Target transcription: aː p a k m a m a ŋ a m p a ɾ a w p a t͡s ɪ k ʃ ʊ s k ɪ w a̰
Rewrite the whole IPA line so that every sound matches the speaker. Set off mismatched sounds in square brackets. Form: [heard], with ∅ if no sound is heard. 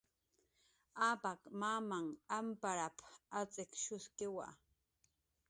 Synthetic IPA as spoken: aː p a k m a m a ŋ a m p a ɾ a [∅] p a t͡s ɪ k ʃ ʊ s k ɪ w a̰